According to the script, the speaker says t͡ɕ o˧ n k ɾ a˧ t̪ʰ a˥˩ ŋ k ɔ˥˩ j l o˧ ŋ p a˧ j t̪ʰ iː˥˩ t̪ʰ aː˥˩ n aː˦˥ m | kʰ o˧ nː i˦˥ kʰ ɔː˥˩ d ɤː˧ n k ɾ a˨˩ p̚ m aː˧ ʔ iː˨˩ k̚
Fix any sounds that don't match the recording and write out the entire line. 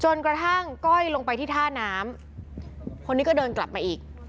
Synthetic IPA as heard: t͡ɕ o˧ n k ɾ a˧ t̪ʰ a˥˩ ŋ k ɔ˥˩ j l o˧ ŋ p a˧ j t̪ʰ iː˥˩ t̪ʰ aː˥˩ n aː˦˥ m | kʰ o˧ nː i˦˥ k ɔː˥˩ d ɤː˧ n k l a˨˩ p̚ m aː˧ ʔ iː˨˩ k̚